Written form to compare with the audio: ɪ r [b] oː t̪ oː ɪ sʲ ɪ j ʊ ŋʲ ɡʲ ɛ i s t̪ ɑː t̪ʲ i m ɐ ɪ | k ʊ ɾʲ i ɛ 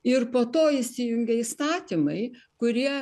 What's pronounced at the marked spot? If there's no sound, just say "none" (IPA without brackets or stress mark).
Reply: p